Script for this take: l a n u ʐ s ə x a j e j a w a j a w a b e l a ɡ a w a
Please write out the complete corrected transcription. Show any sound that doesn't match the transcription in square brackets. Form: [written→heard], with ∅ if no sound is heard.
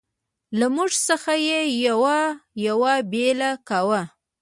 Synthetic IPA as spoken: l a [n→m] u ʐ s ə x a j e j a w a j a w a b e l a [ɡ→k] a w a